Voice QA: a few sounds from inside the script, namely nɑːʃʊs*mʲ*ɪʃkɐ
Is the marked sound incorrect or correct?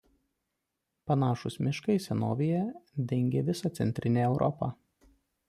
correct